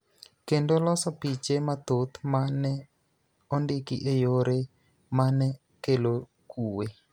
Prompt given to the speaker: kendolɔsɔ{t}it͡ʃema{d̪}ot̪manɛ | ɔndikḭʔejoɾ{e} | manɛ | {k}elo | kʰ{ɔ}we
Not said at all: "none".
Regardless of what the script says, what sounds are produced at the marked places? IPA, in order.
p, t̪, e, k, u

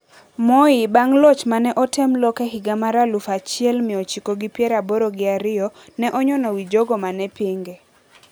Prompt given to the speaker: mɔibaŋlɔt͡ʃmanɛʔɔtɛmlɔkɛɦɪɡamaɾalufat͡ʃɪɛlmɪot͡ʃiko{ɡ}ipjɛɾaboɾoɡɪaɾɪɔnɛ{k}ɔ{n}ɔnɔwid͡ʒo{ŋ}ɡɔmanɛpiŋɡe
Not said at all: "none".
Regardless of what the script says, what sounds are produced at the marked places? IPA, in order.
ɡ, ʔ, ɲ, none

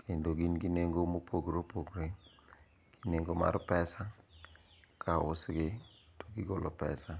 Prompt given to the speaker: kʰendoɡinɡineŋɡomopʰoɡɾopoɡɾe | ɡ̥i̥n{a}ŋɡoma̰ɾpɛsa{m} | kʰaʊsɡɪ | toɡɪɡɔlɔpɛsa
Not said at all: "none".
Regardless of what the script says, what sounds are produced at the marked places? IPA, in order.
e, none

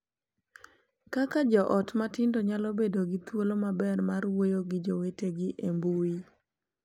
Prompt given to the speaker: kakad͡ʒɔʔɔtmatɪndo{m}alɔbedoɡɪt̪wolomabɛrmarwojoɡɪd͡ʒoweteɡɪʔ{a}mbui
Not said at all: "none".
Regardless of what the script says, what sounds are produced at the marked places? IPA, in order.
ɲ, e

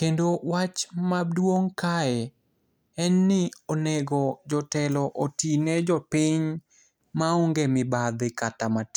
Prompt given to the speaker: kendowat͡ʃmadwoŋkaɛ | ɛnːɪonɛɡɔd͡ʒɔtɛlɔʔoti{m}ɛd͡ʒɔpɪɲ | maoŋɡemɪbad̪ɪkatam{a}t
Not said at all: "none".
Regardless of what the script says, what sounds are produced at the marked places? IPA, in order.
n, a

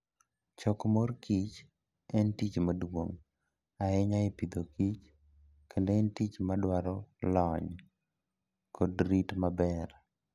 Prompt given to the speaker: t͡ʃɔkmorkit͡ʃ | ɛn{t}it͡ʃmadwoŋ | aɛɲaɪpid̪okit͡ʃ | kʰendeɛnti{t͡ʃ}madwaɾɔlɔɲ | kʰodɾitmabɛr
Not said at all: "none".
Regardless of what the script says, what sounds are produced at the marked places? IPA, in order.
t, t͡ʃ

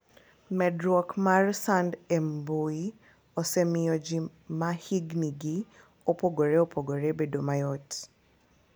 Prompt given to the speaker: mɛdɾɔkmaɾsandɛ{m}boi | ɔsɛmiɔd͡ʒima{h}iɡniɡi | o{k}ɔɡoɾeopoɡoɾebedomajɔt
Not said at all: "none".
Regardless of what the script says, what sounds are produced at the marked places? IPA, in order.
m, h, p

